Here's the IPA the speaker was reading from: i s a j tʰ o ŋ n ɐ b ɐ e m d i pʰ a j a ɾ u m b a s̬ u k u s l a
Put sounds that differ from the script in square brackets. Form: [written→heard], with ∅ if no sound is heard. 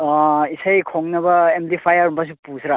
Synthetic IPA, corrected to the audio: i s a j [tʰ→kʰ] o ŋ n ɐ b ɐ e m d i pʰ a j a ɾ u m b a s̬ u [k→p] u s [l→ɾ] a